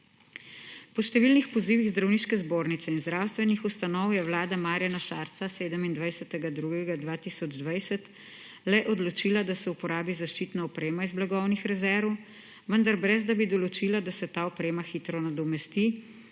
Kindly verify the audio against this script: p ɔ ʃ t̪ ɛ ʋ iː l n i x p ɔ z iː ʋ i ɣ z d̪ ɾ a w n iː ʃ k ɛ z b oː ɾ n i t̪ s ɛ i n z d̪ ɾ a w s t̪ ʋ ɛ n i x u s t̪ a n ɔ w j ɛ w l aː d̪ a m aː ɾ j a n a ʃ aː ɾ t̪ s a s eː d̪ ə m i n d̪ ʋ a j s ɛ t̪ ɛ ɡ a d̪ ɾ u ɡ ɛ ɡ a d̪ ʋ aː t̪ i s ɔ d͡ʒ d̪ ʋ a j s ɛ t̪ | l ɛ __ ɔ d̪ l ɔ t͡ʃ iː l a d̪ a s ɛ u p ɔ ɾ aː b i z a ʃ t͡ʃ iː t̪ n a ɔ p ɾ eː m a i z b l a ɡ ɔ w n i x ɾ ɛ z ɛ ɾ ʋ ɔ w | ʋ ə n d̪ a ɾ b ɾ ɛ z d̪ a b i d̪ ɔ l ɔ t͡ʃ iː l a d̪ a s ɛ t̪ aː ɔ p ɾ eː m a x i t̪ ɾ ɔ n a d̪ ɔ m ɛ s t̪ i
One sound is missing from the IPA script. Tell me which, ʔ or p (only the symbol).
ʔ